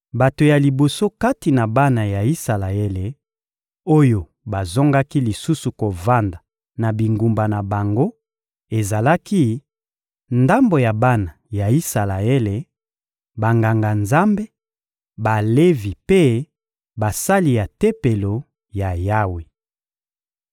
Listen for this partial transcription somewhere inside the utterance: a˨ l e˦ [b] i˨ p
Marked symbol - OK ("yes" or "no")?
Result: no